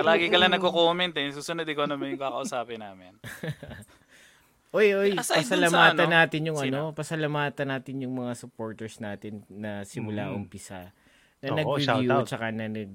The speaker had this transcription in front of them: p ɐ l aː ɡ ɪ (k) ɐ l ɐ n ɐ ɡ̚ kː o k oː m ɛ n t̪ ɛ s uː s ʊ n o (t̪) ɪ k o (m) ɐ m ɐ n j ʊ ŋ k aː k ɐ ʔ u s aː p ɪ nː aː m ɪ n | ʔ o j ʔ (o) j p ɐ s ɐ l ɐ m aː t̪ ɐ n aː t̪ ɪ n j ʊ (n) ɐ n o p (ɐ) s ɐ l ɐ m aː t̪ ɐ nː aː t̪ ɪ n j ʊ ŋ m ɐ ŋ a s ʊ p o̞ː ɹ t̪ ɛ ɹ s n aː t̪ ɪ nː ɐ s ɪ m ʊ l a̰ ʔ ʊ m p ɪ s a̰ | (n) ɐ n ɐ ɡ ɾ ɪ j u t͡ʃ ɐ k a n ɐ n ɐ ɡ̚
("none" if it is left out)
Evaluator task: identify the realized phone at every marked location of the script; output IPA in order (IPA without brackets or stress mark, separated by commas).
k, d̪, n, o, ŋ, ɐ, n